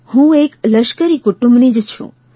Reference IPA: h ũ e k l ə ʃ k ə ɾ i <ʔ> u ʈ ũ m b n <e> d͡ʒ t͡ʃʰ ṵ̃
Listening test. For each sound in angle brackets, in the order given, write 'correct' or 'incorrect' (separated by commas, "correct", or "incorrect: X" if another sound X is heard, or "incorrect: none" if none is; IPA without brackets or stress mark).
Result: incorrect: k, incorrect: i